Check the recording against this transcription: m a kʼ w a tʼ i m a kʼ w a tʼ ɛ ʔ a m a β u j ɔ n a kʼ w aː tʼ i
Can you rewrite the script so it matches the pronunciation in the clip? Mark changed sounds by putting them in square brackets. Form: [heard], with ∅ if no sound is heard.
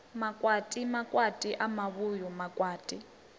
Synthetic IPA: m a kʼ w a tʼ i m a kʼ w a tʼ [i] ʔ a m a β u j ɔ [m] a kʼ w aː tʼ i

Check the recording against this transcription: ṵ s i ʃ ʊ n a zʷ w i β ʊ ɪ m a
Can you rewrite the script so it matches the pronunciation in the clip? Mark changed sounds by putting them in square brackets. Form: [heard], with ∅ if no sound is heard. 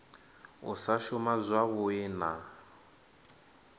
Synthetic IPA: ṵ s [a] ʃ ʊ [m] a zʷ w [a] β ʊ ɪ [n] a

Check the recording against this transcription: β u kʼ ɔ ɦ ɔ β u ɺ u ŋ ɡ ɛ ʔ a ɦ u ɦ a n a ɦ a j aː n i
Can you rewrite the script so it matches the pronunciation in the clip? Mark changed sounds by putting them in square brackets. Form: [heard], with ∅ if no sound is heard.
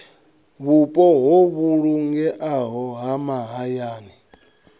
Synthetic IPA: β u [pʼ] ɔ ɦ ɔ β u ɺ u ŋ ɡ ɛ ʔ a ɦ [ɔ] ɦ a [m] a ɦ a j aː n i

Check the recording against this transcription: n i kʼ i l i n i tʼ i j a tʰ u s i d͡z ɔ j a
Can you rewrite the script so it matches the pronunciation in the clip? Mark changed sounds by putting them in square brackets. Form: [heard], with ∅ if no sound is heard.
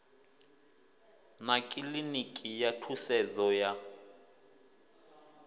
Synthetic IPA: n [a] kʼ i l i n i [kʼ] i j a tʰ u s [ɛ] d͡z ɔ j a

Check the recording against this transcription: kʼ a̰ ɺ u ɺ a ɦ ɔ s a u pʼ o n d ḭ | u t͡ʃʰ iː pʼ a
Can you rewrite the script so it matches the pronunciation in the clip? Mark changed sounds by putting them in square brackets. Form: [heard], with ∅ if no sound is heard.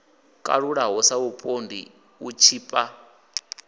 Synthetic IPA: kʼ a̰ ɺ u ɺ a ɦ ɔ s a u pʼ o n d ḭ | u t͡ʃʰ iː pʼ a

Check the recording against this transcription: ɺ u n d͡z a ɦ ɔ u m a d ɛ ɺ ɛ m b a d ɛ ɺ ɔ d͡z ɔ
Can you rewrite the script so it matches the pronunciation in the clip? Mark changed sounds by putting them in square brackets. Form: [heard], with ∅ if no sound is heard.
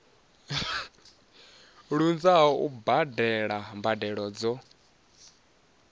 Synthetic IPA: ɺ u n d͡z a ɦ ɔ u [b] a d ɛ ɺ [a] m b a d ɛ ɺ ɔ d͡z ɔ

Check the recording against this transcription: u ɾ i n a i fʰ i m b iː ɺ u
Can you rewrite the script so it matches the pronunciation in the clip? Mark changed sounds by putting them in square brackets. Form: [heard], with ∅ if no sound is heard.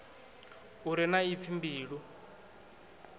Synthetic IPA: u ɾ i n a i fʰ i m b iː ɺ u

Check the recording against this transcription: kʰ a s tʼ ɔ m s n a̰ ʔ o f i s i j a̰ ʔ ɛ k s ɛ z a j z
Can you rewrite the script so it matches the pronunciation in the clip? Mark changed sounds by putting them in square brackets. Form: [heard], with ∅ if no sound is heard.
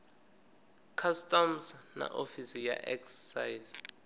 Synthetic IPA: kʰ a s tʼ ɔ m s n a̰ ʔ o f i s i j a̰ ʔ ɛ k s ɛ [s] a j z

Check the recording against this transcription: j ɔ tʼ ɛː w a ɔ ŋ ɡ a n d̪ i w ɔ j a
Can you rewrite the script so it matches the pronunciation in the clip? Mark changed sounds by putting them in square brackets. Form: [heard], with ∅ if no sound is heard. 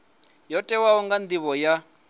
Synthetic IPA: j ɔ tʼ [ɛ] w a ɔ ŋ ɡ a n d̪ i [β] ɔ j a

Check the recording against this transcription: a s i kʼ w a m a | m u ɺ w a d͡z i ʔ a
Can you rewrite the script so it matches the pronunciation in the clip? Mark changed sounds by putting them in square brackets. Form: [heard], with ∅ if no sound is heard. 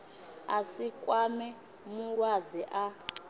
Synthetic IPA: a s i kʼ w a m [ɛ] | m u ɺ w a d͡z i ʔ a

